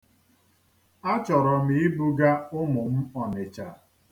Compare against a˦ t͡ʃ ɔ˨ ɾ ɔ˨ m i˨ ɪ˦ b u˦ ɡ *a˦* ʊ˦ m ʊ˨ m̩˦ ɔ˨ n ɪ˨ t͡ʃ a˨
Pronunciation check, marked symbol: correct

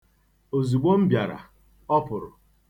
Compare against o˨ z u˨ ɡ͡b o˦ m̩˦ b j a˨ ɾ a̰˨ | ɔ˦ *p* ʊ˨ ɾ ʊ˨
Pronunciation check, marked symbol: correct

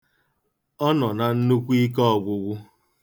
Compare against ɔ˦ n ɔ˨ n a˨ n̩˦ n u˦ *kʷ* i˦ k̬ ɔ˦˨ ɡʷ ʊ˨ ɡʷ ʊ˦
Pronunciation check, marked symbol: correct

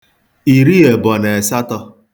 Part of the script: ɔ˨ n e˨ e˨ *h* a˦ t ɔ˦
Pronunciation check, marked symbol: incorrect: s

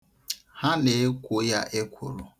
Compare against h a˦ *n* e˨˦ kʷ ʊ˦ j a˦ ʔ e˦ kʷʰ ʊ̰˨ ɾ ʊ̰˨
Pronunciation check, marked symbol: correct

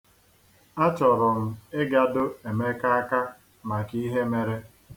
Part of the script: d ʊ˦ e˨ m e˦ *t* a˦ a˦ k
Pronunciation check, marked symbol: incorrect: k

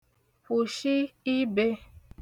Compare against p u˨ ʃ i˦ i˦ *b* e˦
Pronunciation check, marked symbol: correct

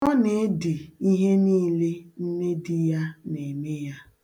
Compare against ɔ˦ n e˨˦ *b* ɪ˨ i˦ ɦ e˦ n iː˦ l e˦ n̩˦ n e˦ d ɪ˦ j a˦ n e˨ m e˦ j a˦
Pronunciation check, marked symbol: incorrect: d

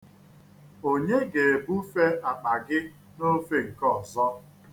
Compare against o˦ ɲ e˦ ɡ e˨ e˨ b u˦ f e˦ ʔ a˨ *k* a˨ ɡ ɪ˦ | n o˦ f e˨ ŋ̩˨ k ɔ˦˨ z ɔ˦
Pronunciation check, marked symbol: incorrect: k͡p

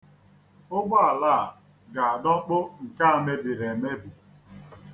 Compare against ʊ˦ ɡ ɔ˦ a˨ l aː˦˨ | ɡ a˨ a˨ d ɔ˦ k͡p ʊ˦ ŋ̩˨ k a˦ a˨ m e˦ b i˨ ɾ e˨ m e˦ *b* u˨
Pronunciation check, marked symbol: correct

